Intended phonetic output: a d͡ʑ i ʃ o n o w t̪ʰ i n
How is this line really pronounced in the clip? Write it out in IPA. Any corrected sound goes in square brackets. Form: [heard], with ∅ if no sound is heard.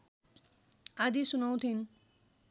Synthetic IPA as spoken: a d͡ʑ i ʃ [u] n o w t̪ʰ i n